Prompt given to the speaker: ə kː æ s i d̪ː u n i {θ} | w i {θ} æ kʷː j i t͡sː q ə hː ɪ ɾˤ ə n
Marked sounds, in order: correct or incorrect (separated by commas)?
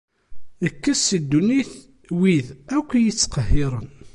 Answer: correct, incorrect